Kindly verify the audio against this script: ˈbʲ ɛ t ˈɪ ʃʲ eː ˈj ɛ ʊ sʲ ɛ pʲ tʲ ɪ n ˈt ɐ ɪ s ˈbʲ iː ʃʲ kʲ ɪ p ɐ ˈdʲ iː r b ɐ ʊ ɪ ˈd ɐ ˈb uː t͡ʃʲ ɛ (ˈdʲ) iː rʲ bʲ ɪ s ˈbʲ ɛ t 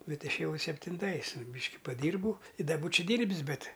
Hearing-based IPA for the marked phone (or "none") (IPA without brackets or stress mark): dʲ